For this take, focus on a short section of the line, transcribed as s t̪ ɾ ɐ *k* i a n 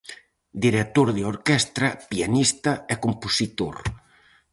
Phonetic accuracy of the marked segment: incorrect: p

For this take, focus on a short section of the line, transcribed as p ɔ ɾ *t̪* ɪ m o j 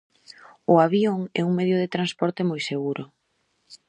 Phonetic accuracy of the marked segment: correct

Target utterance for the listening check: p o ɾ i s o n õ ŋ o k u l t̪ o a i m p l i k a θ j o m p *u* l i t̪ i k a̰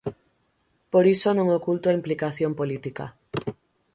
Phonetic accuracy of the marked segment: incorrect: o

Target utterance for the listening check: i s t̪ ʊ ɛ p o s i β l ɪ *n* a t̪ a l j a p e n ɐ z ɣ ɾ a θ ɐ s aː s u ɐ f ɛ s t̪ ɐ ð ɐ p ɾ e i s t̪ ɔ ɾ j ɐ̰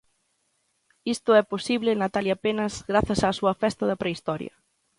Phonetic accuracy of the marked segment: correct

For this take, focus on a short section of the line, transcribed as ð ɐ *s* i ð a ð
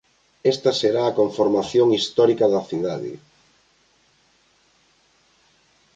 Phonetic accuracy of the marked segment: incorrect: θ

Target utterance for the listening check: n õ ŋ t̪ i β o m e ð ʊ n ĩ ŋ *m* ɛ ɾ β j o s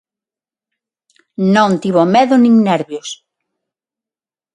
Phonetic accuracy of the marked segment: incorrect: n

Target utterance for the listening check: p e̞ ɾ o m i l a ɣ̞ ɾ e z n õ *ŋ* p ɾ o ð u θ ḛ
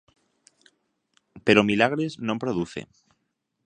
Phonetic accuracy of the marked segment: incorrect: m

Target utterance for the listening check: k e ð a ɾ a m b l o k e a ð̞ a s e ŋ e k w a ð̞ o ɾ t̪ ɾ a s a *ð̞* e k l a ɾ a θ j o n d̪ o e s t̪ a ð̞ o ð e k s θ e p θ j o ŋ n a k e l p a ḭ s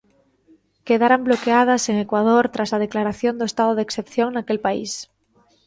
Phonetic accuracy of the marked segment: correct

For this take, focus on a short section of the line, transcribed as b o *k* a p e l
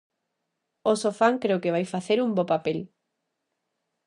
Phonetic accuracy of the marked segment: incorrect: p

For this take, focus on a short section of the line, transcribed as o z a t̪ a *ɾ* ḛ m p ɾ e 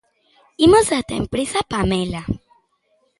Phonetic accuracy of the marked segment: incorrect: none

